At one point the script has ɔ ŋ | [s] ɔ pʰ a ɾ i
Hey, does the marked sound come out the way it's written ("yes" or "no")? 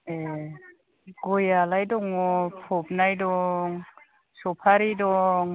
yes